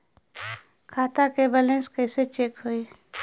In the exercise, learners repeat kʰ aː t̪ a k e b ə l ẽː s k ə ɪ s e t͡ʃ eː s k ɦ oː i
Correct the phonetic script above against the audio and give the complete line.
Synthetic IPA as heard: kʰ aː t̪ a k e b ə l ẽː s k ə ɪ s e t͡ʃ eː k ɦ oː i

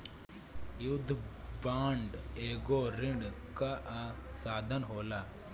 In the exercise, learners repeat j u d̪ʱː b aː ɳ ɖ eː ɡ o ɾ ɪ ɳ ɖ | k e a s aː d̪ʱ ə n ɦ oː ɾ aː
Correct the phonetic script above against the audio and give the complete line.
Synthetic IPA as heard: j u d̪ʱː b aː ɳ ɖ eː ɡ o ɾ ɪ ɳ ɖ | k a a s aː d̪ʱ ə n ɦ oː l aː

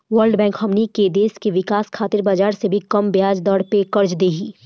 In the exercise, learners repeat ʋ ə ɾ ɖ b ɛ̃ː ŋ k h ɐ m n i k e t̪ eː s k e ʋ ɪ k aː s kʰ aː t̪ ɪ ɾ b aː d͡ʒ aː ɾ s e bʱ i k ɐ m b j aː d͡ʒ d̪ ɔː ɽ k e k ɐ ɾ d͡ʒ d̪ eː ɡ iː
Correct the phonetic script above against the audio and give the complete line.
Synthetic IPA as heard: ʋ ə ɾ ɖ b ɛ̃ː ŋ k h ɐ m n i k e d̪ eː s k e ʋ ɪ k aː s kʰ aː t̪ ɪ ɾ b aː d͡ʒ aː ɾ s e bʱ i k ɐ m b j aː d͡ʒ d̪ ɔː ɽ p e k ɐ ɾ d͡ʒ d̪ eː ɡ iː

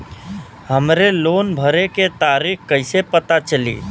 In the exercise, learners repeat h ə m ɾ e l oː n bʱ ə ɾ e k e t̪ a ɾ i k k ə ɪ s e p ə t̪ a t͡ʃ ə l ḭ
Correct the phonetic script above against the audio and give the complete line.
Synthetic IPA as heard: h ə m ɾ e l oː n bʱ ə ɾ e k e t̪ a ɾ i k k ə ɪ s e p ə t̪ a t͡ʃ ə l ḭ

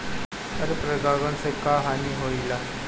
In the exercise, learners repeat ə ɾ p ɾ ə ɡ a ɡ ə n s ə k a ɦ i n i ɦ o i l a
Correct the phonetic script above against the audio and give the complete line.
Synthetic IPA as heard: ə ɾ p ɾ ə ɡ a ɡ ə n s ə k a ɦ a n i ɦ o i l a

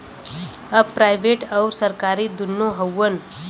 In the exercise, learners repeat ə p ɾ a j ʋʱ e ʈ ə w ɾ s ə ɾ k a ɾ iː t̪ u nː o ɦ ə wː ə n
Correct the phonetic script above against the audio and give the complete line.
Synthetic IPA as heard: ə p ɾ a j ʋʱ e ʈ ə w ɾ s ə ɾ k a ɾ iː d̪ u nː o ɦ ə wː ə n

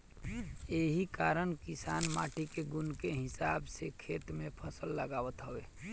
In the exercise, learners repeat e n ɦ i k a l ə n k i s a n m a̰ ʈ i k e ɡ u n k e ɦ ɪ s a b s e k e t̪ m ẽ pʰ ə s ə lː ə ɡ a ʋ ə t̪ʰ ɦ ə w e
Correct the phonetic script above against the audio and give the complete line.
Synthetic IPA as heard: e ɦ i k a ɾ ə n k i s a n m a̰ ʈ i k e ɡ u n k e ɦ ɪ s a b s e kʰ e t̪ m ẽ pʰ ə s ə lː ə ɡ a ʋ ə t̪ ɦ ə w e

